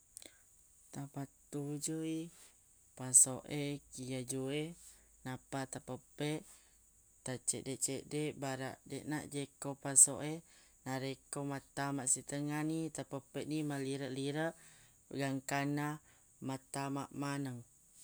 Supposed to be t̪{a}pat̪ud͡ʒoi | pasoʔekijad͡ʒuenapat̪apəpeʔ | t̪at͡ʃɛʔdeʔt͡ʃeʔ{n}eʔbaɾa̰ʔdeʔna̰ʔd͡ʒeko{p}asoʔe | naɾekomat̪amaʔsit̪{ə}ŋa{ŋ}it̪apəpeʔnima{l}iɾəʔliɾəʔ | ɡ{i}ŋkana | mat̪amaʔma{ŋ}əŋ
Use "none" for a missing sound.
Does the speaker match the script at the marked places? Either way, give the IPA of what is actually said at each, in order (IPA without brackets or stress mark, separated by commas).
a, d, p, ə, n, l, a, n